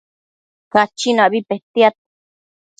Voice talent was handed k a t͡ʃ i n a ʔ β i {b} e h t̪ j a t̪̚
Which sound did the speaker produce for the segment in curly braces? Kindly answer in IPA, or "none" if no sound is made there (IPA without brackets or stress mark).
p